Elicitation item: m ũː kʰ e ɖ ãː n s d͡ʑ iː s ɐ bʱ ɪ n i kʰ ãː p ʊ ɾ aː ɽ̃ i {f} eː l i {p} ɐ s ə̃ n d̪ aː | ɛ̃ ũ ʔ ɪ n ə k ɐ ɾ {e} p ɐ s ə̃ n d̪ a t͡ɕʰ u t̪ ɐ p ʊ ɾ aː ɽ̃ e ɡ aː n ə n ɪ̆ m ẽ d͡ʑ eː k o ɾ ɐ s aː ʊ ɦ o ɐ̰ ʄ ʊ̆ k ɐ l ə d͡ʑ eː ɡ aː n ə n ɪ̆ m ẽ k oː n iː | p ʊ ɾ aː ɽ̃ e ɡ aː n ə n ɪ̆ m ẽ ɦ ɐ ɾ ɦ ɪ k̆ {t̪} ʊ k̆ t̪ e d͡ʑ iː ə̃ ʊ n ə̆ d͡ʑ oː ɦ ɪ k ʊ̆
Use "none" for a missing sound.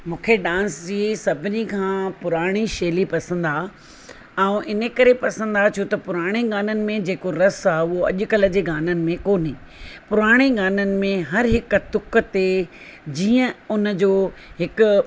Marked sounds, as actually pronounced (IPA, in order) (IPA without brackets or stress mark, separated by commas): ʃ, p, e, t̪